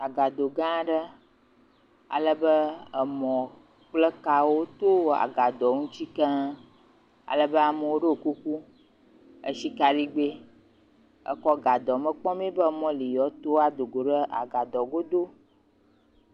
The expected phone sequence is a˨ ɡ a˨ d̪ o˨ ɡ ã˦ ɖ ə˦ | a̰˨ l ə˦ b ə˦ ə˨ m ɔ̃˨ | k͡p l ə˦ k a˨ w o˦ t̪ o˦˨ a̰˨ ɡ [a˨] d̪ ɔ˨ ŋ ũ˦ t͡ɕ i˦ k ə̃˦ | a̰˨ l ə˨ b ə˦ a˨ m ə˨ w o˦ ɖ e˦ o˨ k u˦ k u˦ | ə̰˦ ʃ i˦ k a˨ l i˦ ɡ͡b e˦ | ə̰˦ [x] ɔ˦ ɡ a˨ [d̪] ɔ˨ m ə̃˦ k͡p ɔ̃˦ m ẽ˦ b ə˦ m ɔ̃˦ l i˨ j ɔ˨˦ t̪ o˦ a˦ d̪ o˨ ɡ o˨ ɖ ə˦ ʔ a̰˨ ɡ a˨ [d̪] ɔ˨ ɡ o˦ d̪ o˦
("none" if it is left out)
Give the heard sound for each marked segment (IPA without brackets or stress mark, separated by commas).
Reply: a˨, k, d̪, d̪